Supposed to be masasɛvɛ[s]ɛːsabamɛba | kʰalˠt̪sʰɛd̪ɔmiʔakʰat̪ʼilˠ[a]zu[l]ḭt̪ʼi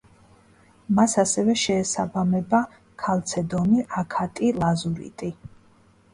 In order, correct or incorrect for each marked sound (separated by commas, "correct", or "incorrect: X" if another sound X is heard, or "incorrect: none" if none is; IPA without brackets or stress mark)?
incorrect: ʃ, correct, incorrect: ɾ